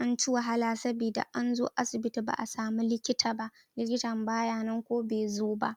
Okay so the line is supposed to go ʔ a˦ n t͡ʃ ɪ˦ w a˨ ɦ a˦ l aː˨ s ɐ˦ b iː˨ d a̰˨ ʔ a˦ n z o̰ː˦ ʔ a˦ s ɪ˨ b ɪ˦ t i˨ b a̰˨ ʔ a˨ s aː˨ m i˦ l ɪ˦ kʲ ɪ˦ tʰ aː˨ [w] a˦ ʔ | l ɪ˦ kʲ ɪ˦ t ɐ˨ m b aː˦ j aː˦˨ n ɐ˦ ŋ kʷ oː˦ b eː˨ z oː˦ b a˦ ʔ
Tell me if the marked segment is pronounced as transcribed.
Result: no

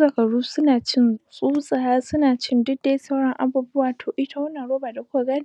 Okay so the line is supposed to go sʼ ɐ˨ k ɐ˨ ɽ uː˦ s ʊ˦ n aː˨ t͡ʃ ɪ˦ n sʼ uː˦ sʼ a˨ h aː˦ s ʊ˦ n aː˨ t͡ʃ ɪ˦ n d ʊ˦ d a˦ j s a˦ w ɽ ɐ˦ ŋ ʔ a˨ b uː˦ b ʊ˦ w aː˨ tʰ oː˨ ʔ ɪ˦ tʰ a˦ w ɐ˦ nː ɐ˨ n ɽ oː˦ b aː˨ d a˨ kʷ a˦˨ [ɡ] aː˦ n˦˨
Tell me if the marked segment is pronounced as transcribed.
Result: yes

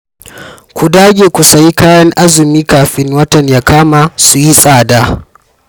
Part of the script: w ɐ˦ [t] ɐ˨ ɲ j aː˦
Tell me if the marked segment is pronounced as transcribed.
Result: yes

